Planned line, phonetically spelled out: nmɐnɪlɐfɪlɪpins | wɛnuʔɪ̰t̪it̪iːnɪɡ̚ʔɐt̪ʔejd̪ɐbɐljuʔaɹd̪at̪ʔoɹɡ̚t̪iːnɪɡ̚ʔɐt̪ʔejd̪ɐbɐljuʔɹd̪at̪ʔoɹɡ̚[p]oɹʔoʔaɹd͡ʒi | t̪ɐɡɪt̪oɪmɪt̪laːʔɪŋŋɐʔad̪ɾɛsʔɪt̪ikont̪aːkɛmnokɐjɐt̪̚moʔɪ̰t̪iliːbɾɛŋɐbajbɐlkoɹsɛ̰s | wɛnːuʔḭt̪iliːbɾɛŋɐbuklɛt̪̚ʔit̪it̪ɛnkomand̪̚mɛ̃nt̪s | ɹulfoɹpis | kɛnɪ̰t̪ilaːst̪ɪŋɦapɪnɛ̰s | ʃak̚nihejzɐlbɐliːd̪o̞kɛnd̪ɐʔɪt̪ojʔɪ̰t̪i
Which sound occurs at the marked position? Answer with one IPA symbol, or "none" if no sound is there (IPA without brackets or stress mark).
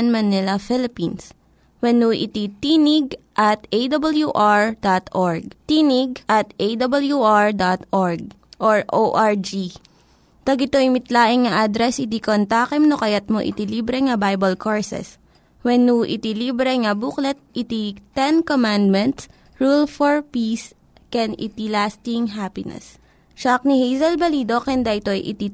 ʔ